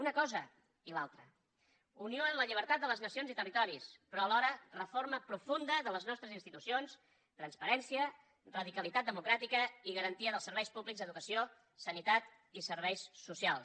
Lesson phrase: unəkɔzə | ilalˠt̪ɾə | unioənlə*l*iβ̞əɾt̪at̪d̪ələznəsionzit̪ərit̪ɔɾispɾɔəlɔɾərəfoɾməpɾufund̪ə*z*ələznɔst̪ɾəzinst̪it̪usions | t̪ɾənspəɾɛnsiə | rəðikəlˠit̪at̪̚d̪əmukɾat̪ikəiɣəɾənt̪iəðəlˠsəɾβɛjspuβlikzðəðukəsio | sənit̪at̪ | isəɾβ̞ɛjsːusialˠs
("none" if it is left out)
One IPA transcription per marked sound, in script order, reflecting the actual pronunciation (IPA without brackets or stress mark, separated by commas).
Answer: ʎ, ð